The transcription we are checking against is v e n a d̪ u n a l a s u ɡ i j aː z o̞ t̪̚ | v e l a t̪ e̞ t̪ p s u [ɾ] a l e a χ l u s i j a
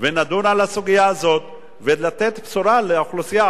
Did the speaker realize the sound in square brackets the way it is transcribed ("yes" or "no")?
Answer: yes